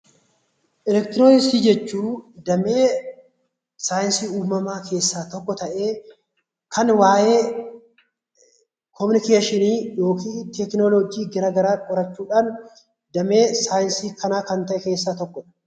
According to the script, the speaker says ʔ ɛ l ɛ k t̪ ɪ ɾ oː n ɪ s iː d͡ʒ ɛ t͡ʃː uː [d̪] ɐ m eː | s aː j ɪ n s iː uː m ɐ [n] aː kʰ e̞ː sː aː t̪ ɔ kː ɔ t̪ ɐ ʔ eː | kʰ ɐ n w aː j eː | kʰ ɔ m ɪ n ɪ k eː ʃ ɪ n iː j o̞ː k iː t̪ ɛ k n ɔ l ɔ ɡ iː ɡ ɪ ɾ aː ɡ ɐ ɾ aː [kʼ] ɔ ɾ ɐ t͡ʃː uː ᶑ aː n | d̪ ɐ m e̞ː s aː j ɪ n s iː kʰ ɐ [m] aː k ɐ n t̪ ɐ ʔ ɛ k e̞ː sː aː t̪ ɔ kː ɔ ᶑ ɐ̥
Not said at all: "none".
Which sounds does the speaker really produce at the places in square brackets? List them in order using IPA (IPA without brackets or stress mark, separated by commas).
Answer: d̪, m, kʼ, n